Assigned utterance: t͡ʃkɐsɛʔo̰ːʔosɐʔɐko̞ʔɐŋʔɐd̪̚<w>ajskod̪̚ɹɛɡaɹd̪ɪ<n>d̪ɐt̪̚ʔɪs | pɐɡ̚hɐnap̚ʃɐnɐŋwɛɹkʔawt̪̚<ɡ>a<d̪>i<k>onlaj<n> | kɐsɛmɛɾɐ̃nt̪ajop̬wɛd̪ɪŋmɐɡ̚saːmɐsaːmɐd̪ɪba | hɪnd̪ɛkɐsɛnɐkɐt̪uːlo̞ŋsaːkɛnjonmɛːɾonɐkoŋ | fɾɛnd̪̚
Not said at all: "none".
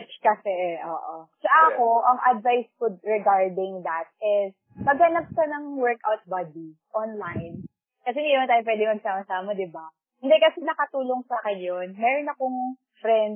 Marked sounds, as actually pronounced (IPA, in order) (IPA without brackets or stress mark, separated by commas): v, ŋ, b, d̪, ʔ, n